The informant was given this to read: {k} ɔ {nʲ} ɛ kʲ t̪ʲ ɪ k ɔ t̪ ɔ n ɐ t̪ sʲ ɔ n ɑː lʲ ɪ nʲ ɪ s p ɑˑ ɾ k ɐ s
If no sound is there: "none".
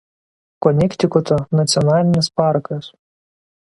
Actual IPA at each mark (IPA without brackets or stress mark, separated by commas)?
k, nʲ